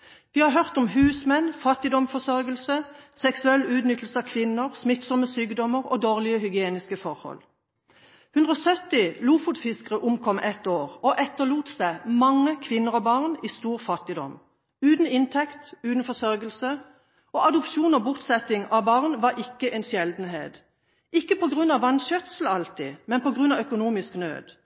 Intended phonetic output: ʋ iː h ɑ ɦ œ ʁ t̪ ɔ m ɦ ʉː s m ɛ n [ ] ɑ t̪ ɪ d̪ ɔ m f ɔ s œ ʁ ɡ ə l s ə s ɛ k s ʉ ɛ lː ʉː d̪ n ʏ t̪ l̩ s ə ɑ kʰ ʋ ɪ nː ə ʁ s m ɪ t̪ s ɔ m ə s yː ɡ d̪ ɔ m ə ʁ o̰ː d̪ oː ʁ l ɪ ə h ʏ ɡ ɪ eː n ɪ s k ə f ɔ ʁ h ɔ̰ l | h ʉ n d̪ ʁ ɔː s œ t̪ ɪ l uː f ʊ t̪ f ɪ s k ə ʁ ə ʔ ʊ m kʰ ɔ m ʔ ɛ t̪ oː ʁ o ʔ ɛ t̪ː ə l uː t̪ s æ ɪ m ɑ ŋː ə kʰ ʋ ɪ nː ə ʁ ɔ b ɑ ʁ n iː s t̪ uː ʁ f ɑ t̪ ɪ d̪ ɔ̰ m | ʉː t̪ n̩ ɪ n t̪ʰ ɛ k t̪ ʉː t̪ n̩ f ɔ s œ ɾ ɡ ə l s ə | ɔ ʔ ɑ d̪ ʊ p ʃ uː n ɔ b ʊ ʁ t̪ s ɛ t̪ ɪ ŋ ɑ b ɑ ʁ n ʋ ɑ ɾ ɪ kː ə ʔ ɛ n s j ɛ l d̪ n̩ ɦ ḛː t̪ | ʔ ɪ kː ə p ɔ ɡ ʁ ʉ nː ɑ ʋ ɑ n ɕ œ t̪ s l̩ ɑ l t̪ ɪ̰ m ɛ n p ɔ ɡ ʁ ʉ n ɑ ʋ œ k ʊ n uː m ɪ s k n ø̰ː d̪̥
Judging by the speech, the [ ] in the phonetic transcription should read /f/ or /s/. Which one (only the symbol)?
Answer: f